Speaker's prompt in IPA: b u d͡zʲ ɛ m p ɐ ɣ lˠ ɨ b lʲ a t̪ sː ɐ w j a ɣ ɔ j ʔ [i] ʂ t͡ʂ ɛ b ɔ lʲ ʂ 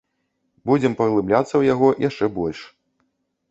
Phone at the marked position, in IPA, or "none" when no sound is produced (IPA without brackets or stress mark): a